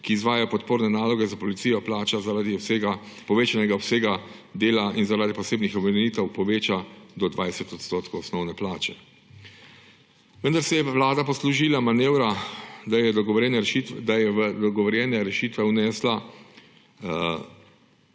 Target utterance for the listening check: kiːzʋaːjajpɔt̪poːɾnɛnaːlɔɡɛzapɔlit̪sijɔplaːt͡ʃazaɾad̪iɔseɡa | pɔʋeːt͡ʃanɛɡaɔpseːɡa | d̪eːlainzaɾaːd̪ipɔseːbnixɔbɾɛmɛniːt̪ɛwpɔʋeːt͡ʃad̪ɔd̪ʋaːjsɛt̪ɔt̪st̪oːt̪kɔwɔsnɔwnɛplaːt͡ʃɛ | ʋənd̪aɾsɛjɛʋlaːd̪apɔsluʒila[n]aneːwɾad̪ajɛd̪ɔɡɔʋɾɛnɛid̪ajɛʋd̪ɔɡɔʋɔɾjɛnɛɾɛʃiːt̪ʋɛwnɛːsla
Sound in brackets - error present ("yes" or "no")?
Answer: yes